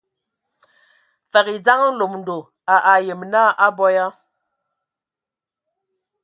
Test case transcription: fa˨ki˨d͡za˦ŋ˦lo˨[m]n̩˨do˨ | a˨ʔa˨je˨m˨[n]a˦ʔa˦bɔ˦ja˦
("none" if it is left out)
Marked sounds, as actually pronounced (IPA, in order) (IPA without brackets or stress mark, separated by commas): m, n